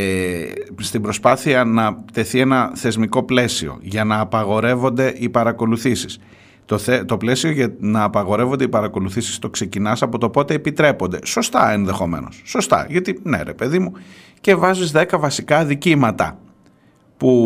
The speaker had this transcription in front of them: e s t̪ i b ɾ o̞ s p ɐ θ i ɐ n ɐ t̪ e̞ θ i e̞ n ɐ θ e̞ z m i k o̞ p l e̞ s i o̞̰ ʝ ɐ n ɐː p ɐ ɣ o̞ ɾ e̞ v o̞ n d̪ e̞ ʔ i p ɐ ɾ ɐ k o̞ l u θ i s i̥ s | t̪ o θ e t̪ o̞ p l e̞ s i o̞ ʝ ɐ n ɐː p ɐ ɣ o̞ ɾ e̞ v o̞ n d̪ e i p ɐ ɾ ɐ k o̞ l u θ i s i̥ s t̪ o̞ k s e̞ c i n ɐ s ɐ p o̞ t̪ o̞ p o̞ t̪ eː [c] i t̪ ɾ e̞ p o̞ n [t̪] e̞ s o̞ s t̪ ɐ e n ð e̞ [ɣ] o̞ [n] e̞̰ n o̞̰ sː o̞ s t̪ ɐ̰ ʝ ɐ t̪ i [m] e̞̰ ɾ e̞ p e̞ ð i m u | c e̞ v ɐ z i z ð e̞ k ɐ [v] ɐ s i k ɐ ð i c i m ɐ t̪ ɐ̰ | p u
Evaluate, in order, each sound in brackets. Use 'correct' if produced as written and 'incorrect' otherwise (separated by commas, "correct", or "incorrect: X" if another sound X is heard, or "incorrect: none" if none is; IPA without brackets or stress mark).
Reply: incorrect: p, incorrect: d̪, incorrect: x, incorrect: m, incorrect: n, correct